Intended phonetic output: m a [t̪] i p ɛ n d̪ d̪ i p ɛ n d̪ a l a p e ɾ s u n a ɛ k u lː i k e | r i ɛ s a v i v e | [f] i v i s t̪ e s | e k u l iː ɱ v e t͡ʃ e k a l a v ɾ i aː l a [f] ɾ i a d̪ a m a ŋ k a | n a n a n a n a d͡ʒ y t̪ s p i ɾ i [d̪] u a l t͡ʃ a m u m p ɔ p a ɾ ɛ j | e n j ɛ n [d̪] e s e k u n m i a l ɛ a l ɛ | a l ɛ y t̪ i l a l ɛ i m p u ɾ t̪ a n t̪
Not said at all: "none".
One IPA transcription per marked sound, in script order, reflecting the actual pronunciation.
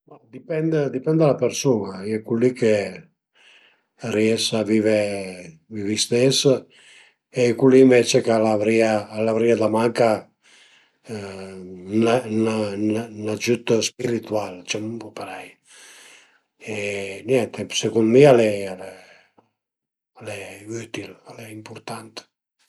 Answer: d̪, v, v, t̪, t̪

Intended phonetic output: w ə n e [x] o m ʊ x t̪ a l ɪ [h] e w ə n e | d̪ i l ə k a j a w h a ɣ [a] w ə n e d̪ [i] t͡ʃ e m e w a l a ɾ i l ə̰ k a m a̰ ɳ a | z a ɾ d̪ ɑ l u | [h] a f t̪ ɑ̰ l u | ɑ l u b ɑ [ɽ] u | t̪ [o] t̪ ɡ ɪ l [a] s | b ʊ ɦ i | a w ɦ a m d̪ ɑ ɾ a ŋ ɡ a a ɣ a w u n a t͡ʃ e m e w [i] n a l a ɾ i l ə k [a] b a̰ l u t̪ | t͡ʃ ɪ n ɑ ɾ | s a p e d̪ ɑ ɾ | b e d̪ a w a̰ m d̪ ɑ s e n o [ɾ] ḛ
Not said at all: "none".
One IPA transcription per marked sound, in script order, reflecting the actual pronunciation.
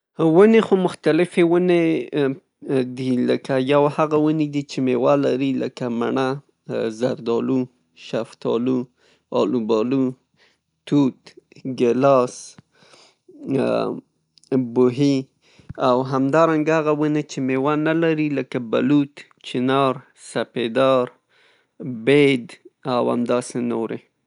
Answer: x, f, a, i, ʃ, l, u, ɑ, a, a, ɾ

